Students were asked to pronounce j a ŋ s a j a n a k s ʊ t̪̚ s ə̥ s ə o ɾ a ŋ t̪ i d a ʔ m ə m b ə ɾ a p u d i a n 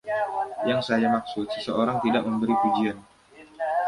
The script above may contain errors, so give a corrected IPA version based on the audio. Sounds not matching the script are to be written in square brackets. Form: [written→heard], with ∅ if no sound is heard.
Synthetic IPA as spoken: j a ŋ s a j a [n→m] a k s ʊ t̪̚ s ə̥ s ə o ɾ a ŋ t̪ i d a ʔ m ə m b ə ɾ [a→i] p u [d→d͡ʒ] i a n